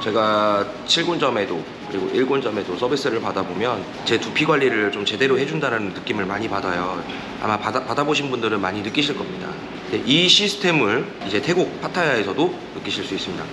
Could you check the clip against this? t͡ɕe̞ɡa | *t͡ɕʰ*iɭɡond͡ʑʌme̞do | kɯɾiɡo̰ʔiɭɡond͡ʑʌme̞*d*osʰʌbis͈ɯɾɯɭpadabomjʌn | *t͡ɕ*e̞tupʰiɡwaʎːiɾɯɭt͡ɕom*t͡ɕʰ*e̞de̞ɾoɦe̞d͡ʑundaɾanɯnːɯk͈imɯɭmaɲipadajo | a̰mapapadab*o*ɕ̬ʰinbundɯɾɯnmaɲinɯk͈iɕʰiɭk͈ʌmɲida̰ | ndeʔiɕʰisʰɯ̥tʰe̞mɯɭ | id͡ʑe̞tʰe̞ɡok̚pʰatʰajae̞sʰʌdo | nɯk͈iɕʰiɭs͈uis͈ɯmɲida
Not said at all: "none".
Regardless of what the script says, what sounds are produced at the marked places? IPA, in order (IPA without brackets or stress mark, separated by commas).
t͡ɕʰ, d, t͡ɕ, t͡ɕ, o